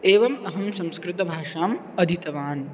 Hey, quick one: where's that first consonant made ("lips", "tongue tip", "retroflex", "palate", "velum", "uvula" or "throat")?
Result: lips